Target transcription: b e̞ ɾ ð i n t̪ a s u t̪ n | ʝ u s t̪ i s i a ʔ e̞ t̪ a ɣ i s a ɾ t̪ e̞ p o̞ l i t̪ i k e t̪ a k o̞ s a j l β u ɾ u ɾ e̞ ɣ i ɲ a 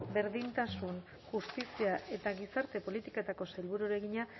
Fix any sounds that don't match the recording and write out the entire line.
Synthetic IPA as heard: b e̞ ɾ ð i n t̪ a s u n | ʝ u s t̪ i s i a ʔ e̞ t̪ a ɣ i s a ɾ t̪ e̞ p o̞ l i t̪ i k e t̪ a k o̞ s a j l β u ɾ u ɾ e̞ ɣ i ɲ a